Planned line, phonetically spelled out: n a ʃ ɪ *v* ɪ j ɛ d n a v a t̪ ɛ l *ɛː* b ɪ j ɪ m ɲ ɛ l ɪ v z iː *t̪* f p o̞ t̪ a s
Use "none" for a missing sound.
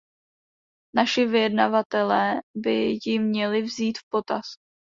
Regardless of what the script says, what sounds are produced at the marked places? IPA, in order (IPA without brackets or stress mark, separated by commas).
v, ɛː, t̪